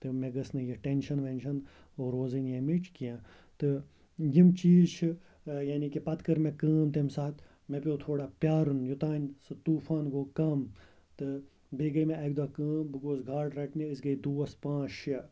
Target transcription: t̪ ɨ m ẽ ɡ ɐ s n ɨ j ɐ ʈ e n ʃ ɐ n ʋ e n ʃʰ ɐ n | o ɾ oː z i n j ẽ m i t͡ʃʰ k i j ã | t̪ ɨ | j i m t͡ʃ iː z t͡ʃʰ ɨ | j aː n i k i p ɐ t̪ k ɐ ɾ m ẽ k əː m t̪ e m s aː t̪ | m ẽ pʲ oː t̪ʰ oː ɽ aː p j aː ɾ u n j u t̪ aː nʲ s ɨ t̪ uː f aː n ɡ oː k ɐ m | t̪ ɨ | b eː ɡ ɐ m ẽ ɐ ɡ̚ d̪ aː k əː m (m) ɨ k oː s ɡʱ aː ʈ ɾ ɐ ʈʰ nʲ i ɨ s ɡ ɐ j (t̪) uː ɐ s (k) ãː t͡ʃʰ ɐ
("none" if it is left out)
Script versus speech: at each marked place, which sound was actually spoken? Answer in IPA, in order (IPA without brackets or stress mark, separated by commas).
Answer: b, d̪, p